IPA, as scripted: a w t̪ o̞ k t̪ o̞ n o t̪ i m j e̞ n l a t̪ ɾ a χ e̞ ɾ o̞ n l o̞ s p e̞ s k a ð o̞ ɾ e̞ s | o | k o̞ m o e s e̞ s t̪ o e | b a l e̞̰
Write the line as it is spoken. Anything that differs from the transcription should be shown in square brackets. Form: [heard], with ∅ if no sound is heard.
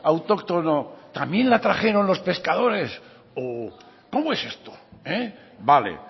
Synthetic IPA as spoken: a w t̪ o̞ k t̪ o̞ n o t̪ [a] m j e̞ n l a t̪ ɾ a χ e̞ ɾ o̞ n l o̞ s p e̞ s k a ð o̞ ɾ e̞ s | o | k o̞ m o e s e̞ s t̪ o e | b a l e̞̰

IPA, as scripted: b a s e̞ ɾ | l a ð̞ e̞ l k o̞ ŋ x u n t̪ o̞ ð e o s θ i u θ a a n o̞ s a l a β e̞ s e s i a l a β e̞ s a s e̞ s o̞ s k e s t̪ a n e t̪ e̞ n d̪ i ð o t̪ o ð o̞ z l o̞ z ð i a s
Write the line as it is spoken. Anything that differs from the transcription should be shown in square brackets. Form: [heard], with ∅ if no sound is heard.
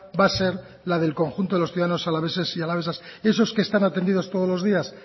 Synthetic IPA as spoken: b a s e̞ ɾ | l a ð̞ e̞ l k o̞ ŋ x u n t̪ o̞ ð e o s θ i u [ð] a a n o̞ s a l a β e̞ s e s i a l a β e̞ s a s e̞ s o̞ s k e s t̪ a n [a] t̪ e̞ n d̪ i ð o t̪ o ð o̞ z l o̞ z ð i a s

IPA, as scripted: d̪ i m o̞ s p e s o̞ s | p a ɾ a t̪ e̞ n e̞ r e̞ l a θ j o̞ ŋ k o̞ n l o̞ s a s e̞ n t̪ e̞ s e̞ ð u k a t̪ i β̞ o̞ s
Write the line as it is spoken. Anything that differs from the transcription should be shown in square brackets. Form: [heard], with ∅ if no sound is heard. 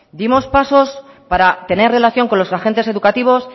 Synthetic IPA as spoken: d̪ i m o̞ s p [a] s o̞ s | p a ɾ a t̪ e̞ n e̞ r e̞ l a θ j o̞ ŋ k o̞ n l o̞ s a [x] e̞ n t̪ e̞ s e̞ ð u k a t̪ i β̞ o̞ s

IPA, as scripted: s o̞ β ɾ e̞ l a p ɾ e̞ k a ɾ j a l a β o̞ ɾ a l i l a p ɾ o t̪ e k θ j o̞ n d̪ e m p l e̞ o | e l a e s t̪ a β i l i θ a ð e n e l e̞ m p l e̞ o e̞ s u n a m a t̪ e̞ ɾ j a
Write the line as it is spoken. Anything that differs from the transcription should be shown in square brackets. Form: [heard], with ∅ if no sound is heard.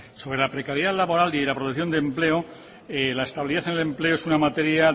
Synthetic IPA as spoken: s o̞ β ɾ e̞ l a p ɾ e̞ k a ɾ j a l a β o̞ ɾ a l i l a p ɾ o t̪ e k θ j o̞ n d̪ e m p l e̞ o | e l a e s t̪ a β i l i [ð] a [θ] e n e l e̞ m p l e̞ o e̞ s u n a m a t̪ e̞ ɾ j a

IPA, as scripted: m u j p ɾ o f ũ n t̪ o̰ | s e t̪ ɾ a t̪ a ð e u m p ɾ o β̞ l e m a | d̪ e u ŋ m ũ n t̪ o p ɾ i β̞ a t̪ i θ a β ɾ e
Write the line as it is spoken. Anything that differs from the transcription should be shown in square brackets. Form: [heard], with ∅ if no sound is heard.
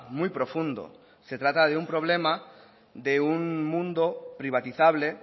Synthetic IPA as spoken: m u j p ɾ o f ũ n [d̪] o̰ | s e t̪ ɾ a t̪ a ð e u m p ɾ o β̞ l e m a | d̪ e u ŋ m ũ n [d̪] o p ɾ i β̞ a t̪ i θ a β [l] e

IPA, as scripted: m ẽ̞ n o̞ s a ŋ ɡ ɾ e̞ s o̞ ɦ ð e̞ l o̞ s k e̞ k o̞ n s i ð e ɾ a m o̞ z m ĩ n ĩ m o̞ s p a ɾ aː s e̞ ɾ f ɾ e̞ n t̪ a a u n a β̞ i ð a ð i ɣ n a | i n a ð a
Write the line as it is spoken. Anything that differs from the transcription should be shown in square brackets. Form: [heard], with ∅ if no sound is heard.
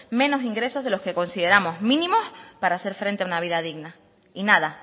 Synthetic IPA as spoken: m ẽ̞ n o̞ s [i] ŋ ɡ ɾ e̞ s o̞ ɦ ð e̞ l o̞ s k e̞ k o̞ n s i ð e ɾ a m o̞ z m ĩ n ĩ m o̞ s p a ɾ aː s e̞ ɾ f ɾ e̞ n t̪ [e] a u n a β̞ i ð a ð i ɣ n a | i n a ð a

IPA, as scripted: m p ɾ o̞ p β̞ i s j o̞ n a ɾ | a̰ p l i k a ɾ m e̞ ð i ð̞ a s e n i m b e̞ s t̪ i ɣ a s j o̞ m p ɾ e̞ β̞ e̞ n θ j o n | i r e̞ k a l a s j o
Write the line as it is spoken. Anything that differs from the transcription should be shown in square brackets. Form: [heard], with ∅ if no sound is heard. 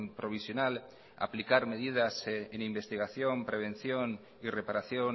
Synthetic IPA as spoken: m p ɾ o̞ [∅] β̞ i s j o̞ n a [l] | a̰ p l i k a ɾ m e̞ ð i ð̞ a s e n i m b e̞ s t̪ i ɣ a [θ] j o̞ m p ɾ e̞ β̞ e̞ n θ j o n | i r e̞ [p] a [ɾ] a [θ] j o

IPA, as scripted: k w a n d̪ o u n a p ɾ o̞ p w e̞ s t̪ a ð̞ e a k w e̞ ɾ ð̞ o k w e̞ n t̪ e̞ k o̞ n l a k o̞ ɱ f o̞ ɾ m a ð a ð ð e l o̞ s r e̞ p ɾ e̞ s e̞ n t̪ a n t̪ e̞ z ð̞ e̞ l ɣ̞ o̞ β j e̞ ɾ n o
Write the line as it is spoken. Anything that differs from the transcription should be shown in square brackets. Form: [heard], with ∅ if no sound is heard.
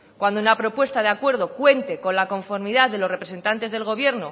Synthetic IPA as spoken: k w a n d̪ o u n a p ɾ o̞ p w e̞ s t̪ a ð̞ e a k w e̞ ɾ ð̞ o k w e̞ n t̪ e̞ k o̞ n l a k o̞ ɱ f o̞ ɾ m [i] ð a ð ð e l o̞ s r e̞ p ɾ e̞ s e̞ n t̪ a n t̪ e̞ z ð̞ e̞ l ɣ̞ o̞ β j e̞ ɾ n o

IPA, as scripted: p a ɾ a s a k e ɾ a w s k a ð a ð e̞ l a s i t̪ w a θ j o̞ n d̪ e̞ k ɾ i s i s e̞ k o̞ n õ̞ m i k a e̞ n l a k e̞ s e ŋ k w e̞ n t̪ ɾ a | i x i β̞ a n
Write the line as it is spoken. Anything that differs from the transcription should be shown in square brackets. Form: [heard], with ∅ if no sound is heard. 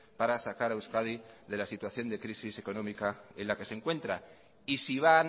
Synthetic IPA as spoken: p a ɾ a s a k [a] ɾ a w s k a ð [i] ð e̞ l a s i t̪ w a θ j o̞ n d̪ e̞ k ɾ i s i s e̞ k o̞ n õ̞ m i k a e̞ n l a k e̞ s e ŋ k w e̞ n t̪ ɾ a | i [s] i β̞ a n

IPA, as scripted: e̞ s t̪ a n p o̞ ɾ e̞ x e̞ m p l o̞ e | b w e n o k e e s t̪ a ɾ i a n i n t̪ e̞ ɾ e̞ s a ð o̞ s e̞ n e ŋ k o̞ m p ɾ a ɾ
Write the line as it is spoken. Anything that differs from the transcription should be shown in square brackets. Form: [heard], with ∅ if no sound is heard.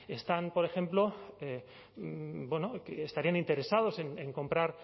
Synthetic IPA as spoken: e̞ s t̪ a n p o̞ ɾ e̞ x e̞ m p l o̞ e | b w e n o k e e s t̪ a ɾ i a n i n t̪ e̞ ɾ e̞ s a ð o̞ s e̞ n e ŋ k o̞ m p ɾ a ɾ

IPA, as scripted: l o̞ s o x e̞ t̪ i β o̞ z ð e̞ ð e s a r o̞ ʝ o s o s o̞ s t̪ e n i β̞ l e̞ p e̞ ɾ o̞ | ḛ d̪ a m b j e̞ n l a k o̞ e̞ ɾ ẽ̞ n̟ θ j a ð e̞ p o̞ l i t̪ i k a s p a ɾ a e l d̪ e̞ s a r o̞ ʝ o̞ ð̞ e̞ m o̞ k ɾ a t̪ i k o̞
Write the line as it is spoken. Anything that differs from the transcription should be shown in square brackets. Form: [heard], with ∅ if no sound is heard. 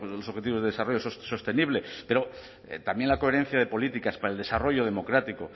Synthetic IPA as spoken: l o̞ s o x e̞ t̪ i β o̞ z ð e̞ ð e s a r o̞ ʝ o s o s o̞ s t̪ e n i β̞ l e̞ p e̞ ɾ o̞ | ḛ [t̪] a m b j e̞ n l a k o̞ e̞ ɾ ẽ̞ n̟ θ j a ð e̞ p o̞ l i t̪ i k a s p a ɾ a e l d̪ e̞ s a r o̞ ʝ o̞ ð̞ e̞ m o̞ k ɾ a t̪ i k o̞

